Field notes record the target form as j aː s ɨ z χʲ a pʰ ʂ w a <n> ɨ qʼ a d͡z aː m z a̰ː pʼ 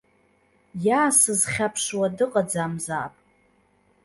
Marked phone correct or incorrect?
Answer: incorrect